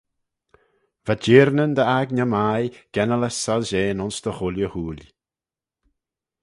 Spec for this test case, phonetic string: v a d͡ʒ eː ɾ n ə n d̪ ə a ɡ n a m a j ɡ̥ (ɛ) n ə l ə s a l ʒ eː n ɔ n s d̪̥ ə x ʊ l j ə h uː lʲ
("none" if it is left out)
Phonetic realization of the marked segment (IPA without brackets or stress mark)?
ɛ